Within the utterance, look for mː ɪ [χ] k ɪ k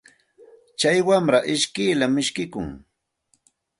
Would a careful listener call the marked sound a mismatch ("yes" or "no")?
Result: yes